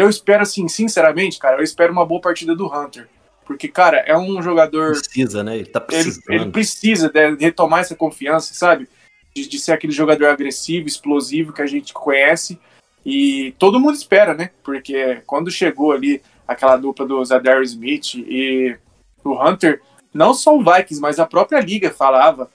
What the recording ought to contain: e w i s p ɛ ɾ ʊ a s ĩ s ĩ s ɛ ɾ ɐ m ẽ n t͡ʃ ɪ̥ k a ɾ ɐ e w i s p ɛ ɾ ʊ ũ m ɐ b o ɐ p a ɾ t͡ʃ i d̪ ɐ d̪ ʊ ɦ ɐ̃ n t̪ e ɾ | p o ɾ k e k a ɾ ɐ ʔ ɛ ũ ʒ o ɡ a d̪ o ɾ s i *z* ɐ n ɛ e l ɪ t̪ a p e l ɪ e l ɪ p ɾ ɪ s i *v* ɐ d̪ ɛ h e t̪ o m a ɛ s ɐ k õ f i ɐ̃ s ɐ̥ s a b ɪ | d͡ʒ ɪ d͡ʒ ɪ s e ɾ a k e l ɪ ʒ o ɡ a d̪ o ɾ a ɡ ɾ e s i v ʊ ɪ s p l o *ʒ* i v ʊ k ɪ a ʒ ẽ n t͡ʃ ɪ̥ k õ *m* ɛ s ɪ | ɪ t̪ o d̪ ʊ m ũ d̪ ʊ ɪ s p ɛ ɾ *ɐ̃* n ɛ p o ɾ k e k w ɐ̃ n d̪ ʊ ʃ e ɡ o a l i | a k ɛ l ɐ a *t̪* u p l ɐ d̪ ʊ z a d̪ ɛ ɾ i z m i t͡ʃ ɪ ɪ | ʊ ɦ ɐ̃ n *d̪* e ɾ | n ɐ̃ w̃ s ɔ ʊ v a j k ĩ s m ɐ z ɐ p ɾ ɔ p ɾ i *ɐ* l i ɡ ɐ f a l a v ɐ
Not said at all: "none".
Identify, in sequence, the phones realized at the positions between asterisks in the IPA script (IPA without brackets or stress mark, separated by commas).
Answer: z, z, z, ɲ, ɐ, d̪, t̪, ɐ